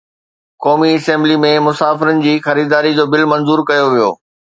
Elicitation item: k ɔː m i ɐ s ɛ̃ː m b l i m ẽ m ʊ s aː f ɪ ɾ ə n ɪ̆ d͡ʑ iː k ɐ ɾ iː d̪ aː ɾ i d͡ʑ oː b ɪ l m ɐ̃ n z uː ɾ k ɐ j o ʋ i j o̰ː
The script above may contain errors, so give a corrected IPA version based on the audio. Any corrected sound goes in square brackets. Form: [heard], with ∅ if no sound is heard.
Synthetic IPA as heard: k ɔː m i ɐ s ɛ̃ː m b l i m ẽ m ʊ s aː f ɪ ɾ ə n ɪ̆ d͡ʑ iː [x] ɐ ɾ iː d̪ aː ɾ i d͡ʑ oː b ɪ l m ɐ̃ n z uː ɾ k ɐ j o ʋ i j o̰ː